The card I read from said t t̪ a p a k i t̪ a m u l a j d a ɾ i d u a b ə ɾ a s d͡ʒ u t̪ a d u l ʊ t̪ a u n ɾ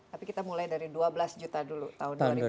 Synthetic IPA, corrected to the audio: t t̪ a p i k i t̪ a m u l a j d a ɾ i d u a b ə l a s d͡ʒ u t̪ a d u l u t̪ a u n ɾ